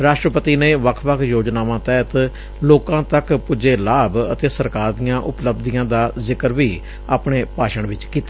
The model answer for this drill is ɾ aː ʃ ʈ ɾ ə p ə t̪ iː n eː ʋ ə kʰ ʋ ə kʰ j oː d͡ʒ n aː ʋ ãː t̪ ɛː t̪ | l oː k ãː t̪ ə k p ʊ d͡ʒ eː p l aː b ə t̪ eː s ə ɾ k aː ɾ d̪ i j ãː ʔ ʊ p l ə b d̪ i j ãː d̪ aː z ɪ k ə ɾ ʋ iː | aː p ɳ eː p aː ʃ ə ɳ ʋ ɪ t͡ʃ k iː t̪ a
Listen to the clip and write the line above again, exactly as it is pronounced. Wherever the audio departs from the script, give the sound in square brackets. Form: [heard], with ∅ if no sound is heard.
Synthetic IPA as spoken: ɾ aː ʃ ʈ ɾ ə p ə t̪ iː n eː ʋ ə kʰ ʋ ə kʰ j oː d͡ʒ n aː ʋ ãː t̪ ɛː t̪ | l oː k ãː t̪ ə k p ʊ d͡ʒ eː [∅] l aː b ə t̪ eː s ə ɾ k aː ɾ d̪ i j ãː ʔ ʊ p l ə b d̪ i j ãː d̪ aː z ɪ k ə ɾ ʋ iː | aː p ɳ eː p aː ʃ ə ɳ ʋ ɪ t͡ʃ k iː t̪ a